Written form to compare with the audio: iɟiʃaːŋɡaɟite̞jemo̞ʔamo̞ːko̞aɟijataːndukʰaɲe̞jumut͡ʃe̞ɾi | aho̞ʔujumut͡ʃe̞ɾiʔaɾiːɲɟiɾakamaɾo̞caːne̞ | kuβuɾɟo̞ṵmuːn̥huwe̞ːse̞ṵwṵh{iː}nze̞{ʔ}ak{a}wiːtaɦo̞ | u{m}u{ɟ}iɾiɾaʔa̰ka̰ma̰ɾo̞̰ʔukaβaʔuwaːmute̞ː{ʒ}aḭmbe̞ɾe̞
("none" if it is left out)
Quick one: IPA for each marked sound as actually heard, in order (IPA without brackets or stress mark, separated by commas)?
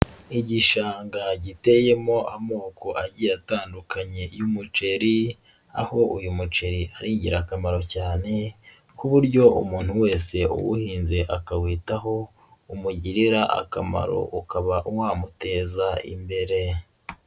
iː, ʔ, a, m, ɟ, z